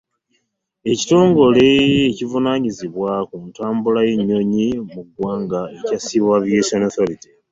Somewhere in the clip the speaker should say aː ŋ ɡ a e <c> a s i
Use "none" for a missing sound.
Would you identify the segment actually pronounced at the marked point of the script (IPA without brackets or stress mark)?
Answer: c